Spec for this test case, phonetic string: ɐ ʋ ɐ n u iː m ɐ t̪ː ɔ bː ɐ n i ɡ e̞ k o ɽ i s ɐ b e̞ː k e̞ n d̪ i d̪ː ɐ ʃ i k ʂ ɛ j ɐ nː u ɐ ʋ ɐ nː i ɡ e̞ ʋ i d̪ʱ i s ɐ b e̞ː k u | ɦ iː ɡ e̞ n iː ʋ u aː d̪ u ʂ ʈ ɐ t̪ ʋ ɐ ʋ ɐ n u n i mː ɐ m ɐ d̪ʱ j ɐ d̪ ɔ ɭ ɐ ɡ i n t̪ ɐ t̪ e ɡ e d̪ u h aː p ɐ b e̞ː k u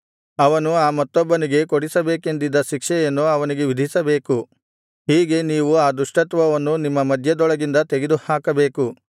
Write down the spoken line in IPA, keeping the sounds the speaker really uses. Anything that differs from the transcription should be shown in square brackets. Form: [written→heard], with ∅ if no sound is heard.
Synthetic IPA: ɐ ʋ ɐ n u [iː→aː] m ɐ t̪ː ɔ bː ɐ n i ɡ e̞ k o ɽ i s ɐ b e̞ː k e̞ n d̪ i d̪ː ɐ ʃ i k ʂ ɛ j ɐ nː u ɐ ʋ ɐ [nː→n] i ɡ e̞ ʋ i d̪ʱ i s ɐ b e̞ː k u | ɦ iː ɡ e̞ n iː ʋ u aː d̪ u ʂ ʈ ɐ t̪ ʋ ɐ ʋ ɐ [n→nː] u n i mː ɐ m ɐ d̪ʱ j ɐ d̪ ɔ ɭ ɐ ɡ i n [t̪→d̪] ɐ t̪ e ɡ e d̪ u h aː [p→k] ɐ b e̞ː k u

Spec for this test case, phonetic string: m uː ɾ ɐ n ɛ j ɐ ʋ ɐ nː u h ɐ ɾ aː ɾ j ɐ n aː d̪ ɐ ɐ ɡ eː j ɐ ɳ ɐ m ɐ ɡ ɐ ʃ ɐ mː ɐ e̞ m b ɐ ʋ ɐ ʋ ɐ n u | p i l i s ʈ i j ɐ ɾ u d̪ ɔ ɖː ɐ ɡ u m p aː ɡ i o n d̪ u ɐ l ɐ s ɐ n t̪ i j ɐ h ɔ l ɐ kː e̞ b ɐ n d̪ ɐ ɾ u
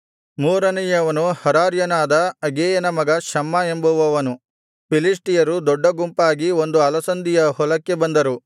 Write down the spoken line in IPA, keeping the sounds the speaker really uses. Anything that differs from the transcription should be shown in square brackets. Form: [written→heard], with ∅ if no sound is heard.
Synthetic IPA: m uː ɾ ɐ n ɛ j ɐ ʋ ɐ [nː→n] u h ɐ ɾ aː ɾ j ɐ n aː d̪ ɐ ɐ ɡ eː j ɐ [ɳ→n] ɐ m ɐ ɡ ɐ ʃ ɐ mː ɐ e̞ m b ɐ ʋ ɐ ʋ ɐ n u | p i l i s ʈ i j ɐ ɾ u d̪ ɔ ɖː ɐ ɡ u m p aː ɡ i o n d̪ u ɐ l ɐ s ɐ n [t̪→d̪] i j ɐ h ɔ l ɐ kː e̞ b ɐ n d̪ ɐ ɾ u

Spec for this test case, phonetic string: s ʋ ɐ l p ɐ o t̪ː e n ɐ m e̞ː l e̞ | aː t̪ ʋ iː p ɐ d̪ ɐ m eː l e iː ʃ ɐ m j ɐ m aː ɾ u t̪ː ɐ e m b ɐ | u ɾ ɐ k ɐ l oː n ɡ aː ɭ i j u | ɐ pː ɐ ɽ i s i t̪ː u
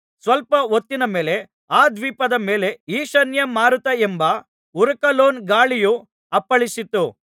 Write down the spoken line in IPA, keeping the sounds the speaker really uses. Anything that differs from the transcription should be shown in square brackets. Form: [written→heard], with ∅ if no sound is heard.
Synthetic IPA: s ʋ ɐ l p ɐ o t̪ː [e→i] n ɐ m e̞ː l e̞ | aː [t̪→d̪] ʋ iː p ɐ d̪ ɐ m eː l e iː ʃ ɐ [m→n] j ɐ m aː ɾ u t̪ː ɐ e m b ɐ | u ɾ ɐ k ɐ l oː n ɡ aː ɭ i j u | ɐ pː ɐ [ɽ→ɭ] i s i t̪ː u

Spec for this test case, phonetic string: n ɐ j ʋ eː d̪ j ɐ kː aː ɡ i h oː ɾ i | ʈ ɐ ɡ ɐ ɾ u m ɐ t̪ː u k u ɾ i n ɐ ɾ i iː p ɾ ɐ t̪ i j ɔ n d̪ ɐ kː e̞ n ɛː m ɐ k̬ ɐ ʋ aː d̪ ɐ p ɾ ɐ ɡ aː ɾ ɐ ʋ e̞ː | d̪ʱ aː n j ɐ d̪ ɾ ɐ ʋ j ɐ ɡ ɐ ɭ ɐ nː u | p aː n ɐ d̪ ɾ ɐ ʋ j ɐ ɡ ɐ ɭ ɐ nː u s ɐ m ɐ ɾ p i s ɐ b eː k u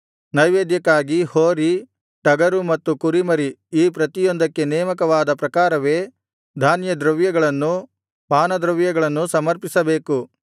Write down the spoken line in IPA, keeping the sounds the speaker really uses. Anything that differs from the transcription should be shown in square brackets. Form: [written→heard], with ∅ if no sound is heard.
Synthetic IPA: n ɐ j ʋ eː d̪ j ɐ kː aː ɡ i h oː ɾ i | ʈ ɐ ɡ ɐ ɾ u m ɐ t̪ː u k u ɾ i [n→m] ɐ ɾ i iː p ɾ ɐ t̪ i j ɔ n d̪ ɐ kː e̞ n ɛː m ɐ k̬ ɐ ʋ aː d̪ ɐ p ɾ ɐ [ɡ→k] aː ɾ ɐ ʋ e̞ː | d̪ʱ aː n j ɐ d̪ ɾ ɐ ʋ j ɐ ɡ ɐ ɭ ɐ nː u | p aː n ɐ d̪ ɾ ɐ ʋ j ɐ ɡ ɐ ɭ ɐ nː u s ɐ m ɐ ɾ p i s ɐ b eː k u

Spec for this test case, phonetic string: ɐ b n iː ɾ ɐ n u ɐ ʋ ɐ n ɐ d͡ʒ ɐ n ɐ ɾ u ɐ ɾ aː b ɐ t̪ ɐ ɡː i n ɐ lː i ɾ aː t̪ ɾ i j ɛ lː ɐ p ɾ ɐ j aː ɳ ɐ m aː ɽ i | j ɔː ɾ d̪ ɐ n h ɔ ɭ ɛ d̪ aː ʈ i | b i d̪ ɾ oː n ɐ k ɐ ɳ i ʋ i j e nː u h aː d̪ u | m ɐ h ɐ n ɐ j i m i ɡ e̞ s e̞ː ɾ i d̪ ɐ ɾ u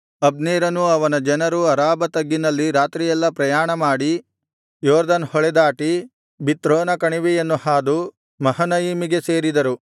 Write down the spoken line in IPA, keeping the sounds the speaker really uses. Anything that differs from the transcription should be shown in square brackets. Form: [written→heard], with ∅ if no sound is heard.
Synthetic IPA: ɐ b n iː ɾ ɐ n u ɐ ʋ ɐ n ɐ d͡ʒ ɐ n ɐ ɾ u ɐ ɾ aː b ɐ t̪ ɐ ɡː i n ɐ lː i ɾ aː t̪ ɾ i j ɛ lː ɐ p ɾ ɐ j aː ɳ ɐ m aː ɽ i | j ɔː ɾ d̪ ɐ n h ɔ ɭ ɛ d̪ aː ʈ i | b i [d̪→t̪] ɾ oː n ɐ k ɐ ɳ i ʋ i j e nː u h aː d̪ u | m ɐ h ɐ n ɐ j i m i ɡ e̞ s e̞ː ɾ i d̪ ɐ ɾ u

